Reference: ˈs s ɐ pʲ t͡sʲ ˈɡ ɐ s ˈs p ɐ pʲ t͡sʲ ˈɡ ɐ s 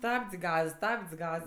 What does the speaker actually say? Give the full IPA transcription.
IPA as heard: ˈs t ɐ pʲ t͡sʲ ˈɡ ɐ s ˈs t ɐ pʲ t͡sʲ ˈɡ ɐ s